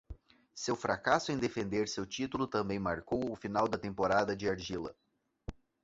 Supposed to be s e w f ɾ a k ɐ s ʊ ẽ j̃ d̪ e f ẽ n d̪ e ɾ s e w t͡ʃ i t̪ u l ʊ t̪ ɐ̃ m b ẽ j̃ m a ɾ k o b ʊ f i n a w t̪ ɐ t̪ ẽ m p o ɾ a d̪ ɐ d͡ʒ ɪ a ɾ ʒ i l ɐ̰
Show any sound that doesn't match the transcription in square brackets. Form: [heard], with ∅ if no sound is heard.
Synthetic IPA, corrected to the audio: s e w f ɾ a k [a] s ʊ ẽ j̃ d̪ e f ẽ n d̪ e ɾ s e w t͡ʃ i t̪ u l ʊ t̪ ɐ̃ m b ẽ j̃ m a ɾ k o [w] ʊ f i n a w [d̪] ɐ t̪ ẽ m p o ɾ a d̪ ɐ d͡ʒ ɪ a ɾ ʒ i l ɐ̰